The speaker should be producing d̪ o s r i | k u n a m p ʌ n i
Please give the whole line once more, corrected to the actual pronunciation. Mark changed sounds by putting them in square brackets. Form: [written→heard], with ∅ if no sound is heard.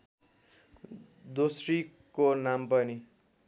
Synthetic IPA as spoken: d̪ o s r i | k [u→o] n a m p ʌ n i